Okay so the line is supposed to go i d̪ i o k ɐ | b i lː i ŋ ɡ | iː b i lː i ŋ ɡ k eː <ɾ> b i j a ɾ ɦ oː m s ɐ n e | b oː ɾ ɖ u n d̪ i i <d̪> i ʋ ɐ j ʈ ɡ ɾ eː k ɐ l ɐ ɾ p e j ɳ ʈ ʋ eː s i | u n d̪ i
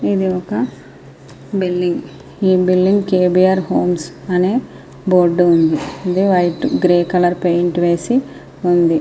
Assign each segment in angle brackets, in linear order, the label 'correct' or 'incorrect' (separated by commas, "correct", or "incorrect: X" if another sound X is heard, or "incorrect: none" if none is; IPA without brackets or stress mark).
incorrect: none, correct